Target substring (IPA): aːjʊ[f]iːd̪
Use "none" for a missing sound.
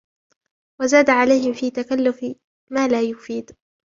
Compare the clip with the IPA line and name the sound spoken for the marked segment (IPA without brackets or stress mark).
f